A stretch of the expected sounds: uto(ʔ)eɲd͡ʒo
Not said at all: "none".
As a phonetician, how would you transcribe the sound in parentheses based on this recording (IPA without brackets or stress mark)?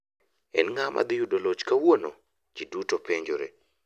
p